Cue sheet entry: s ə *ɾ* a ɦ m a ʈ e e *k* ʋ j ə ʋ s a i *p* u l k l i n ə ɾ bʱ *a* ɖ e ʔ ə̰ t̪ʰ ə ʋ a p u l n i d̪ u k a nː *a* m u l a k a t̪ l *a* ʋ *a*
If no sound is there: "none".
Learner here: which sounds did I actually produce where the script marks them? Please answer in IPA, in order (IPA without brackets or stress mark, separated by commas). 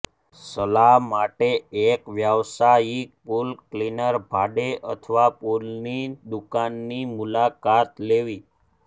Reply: l, k, p, a, i, e, i